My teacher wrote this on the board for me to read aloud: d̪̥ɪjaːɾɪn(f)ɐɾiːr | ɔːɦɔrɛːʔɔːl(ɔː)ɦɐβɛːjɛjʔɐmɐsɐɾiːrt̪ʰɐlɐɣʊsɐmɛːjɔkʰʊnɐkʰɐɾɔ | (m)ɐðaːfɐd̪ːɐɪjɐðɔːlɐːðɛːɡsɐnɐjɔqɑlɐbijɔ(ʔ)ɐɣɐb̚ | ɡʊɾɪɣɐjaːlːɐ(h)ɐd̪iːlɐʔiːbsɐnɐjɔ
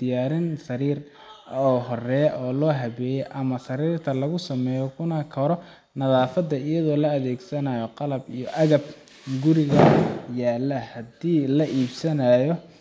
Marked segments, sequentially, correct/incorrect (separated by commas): incorrect, correct, incorrect, correct, correct